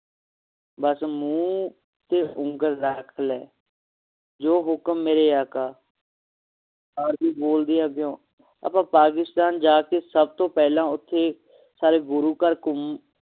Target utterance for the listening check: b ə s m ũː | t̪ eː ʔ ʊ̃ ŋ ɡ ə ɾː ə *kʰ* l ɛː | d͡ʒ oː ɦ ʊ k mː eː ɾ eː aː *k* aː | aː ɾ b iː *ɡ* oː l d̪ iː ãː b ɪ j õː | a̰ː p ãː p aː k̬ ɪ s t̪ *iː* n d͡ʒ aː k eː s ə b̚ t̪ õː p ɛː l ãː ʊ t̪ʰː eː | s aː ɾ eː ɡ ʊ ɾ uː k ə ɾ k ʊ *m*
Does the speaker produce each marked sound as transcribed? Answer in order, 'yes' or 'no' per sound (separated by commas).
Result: yes, yes, no, no, yes